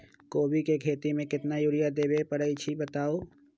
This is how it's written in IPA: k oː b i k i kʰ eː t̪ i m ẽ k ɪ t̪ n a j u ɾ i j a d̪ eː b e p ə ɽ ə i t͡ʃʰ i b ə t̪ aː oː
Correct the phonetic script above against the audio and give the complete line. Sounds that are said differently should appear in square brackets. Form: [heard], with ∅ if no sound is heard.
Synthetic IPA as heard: k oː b i k [e] kʰ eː t̪ i m ẽ k ɪ t̪ n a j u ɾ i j a d̪ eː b e p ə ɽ ə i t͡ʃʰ i b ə t̪ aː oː